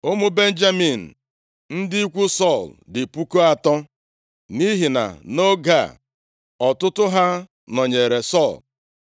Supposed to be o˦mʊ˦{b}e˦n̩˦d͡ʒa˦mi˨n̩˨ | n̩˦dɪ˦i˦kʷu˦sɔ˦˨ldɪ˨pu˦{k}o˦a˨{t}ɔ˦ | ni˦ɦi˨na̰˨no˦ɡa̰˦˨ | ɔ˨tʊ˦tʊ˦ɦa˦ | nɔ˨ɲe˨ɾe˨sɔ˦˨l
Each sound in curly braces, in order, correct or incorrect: correct, correct, correct

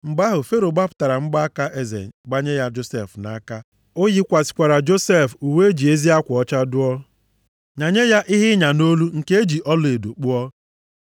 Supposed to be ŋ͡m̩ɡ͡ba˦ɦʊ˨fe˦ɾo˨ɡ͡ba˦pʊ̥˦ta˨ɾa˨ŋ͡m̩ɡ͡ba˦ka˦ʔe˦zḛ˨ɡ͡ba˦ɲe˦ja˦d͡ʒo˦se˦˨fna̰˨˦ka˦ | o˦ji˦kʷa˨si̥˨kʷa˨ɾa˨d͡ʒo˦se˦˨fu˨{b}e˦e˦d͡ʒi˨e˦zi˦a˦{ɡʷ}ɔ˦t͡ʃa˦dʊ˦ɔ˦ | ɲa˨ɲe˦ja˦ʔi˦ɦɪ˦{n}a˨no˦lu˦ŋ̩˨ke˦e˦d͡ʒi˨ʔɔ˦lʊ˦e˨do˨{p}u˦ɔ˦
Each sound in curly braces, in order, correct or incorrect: incorrect: w, incorrect: kʷ, incorrect: ɲ, incorrect: k͡p

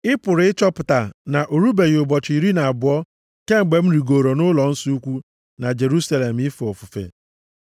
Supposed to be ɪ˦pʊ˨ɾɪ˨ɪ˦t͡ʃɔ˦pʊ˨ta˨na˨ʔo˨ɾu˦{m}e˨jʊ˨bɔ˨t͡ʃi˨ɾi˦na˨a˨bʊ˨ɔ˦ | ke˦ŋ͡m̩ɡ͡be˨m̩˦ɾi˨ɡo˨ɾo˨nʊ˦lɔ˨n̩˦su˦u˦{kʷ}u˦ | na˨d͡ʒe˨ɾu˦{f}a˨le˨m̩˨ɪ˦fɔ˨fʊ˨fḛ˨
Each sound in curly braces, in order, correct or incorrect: incorrect: b, correct, incorrect: s

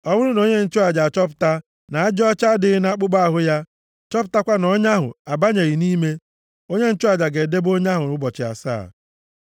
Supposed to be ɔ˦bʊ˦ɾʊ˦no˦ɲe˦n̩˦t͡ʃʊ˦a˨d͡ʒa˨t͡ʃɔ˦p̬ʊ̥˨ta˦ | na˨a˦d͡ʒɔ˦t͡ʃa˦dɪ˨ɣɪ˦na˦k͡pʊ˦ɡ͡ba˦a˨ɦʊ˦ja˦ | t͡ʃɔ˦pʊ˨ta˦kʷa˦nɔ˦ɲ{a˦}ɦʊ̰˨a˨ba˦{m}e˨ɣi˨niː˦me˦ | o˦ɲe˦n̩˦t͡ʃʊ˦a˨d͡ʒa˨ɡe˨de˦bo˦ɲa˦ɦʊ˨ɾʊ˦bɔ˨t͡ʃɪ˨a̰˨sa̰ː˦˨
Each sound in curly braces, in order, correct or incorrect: correct, incorrect: ɲ

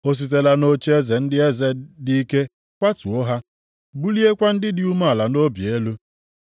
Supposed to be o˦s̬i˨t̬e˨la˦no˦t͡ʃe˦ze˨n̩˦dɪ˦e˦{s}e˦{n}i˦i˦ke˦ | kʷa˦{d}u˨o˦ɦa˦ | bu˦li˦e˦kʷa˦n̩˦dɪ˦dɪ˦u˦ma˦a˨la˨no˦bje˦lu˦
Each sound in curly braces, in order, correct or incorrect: incorrect: z, incorrect: d, incorrect: t

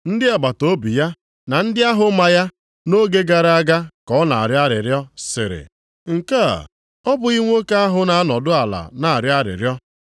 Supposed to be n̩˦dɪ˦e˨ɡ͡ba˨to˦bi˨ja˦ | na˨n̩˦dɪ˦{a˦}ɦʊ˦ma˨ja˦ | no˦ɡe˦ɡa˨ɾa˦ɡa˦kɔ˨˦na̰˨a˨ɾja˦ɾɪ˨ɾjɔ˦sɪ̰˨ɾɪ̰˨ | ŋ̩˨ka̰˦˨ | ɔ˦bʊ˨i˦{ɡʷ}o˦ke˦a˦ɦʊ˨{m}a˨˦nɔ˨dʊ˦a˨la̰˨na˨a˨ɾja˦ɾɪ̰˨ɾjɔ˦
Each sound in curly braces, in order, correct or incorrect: correct, incorrect: ŋʷ, incorrect: n

